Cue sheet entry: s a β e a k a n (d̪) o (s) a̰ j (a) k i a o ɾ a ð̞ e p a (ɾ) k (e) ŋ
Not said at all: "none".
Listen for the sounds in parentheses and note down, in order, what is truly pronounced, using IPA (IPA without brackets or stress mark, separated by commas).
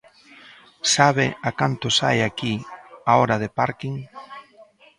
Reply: t̪, s, a, ɾ, i